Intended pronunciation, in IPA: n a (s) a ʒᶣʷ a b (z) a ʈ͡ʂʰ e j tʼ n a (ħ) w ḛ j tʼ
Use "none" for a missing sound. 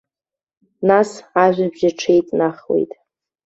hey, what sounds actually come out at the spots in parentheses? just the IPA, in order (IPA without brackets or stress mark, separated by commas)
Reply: s, ʒ, χ